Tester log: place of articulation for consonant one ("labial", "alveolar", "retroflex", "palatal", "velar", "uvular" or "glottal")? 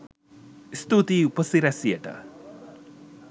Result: alveolar